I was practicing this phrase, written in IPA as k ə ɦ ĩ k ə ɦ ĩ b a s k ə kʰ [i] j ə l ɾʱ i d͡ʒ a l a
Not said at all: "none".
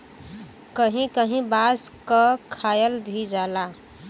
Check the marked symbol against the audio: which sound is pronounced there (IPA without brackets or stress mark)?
a